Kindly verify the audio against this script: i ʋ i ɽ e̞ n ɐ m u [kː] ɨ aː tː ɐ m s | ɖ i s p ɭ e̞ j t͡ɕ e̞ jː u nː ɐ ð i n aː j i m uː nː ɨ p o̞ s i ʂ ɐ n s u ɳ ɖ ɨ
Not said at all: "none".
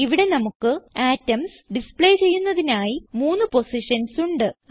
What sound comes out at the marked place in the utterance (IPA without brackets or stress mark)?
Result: kː